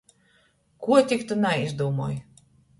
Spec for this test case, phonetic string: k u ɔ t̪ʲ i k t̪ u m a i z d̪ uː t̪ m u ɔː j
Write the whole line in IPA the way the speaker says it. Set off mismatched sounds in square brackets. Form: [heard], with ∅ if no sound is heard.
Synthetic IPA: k u ɔ t̪ʲ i k t̪ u [n] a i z d̪ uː [∅] m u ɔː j